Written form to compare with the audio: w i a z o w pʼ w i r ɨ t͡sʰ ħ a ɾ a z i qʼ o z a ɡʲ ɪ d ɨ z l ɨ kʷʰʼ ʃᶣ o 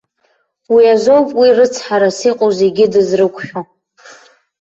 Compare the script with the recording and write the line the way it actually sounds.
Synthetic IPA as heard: w i a z o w pʼ w i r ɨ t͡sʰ ħ a ɾ a s i qʼ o z e ɡʲ ɪ d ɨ z r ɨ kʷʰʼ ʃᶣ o